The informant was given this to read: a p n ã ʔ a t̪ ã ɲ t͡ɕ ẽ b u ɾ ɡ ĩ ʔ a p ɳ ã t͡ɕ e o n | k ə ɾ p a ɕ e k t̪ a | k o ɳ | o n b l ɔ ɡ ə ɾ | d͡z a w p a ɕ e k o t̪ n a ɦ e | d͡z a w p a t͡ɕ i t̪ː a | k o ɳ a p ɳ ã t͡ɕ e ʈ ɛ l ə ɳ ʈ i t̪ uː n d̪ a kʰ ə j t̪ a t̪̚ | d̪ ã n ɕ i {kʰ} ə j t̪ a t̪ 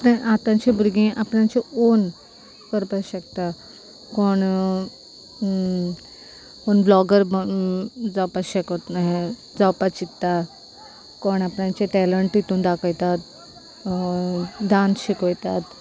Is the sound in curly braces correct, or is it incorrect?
incorrect